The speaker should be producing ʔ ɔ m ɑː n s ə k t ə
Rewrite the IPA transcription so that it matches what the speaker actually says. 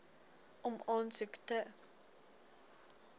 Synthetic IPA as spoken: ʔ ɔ m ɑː n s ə k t ə